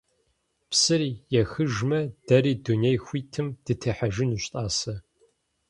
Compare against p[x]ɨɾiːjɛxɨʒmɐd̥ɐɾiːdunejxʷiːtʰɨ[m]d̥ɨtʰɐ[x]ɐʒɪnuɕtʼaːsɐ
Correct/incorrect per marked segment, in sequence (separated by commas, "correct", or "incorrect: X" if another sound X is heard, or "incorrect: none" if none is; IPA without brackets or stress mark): incorrect: s, correct, incorrect: ħ